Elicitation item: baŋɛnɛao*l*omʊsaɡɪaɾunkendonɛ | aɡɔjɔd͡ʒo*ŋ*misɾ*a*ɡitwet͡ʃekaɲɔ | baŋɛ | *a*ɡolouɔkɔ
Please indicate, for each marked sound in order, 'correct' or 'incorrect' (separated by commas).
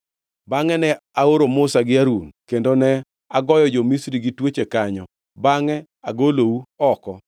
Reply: incorrect, incorrect, incorrect, correct